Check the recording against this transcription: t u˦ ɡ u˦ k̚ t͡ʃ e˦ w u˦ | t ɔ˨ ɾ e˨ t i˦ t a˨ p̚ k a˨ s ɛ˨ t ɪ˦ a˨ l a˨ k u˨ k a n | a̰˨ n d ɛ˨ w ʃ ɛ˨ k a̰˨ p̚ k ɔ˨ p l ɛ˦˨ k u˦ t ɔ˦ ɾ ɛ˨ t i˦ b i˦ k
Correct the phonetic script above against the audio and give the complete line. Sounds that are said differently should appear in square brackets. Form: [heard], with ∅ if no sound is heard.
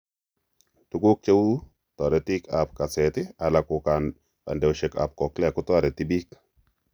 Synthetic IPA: t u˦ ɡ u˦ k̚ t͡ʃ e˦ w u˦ | t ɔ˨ ɾ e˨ t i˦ [k] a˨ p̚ k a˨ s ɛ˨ t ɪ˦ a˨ l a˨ k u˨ k a n | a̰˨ n d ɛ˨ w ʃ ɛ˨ k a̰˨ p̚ k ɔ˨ [k] l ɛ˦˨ k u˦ t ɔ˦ ɾ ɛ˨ t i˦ b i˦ k